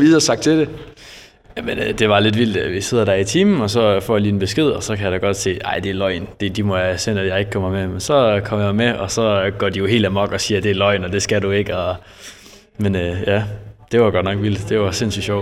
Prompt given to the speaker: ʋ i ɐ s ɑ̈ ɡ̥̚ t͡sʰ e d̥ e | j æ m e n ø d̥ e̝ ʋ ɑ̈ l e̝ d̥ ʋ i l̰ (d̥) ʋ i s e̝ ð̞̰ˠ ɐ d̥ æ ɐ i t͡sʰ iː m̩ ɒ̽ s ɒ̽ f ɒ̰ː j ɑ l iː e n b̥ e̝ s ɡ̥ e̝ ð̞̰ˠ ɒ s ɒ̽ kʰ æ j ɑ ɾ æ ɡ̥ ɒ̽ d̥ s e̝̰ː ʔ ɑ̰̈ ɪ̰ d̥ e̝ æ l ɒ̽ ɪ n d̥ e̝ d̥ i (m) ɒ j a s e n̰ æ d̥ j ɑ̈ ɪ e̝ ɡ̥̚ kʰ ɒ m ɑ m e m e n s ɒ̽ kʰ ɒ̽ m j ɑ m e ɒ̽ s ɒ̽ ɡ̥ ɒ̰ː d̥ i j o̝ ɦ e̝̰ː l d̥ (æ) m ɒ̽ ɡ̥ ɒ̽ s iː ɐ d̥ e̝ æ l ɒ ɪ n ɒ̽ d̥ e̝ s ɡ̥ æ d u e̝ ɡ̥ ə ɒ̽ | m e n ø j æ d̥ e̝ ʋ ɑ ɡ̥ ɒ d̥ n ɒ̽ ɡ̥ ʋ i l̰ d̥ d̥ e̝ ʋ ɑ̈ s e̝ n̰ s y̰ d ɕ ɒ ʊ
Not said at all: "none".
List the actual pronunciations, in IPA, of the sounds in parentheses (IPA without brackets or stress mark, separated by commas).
d̥, m, æ